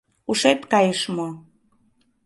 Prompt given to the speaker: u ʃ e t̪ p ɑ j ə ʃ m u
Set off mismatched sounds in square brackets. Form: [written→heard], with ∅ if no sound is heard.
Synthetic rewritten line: u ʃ e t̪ [p→k] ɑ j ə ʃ m [u→o]